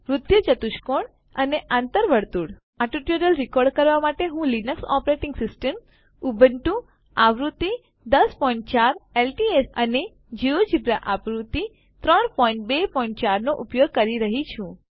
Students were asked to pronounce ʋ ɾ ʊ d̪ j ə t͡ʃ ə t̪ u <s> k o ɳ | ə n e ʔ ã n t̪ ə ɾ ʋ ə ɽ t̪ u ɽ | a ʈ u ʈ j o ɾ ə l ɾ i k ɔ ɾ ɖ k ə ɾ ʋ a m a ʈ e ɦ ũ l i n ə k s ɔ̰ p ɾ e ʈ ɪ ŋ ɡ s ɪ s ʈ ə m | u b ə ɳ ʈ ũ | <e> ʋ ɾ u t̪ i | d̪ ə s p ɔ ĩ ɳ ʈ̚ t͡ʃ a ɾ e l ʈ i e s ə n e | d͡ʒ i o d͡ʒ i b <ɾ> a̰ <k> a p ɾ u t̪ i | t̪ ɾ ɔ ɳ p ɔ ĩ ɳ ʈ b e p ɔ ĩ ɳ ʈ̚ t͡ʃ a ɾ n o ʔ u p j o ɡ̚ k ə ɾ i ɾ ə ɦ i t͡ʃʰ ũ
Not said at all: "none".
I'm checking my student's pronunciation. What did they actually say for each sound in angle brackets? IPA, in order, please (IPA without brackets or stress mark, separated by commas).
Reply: ʃ, a, ɾ, ʔ